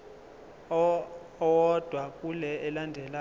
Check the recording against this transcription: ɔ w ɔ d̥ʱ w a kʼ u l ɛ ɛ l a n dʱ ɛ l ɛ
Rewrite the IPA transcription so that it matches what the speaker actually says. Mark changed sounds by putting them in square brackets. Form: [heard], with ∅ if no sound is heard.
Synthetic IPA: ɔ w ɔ d̥ʱ w a kʼ u l ɛ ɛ l a n dʱ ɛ l [a]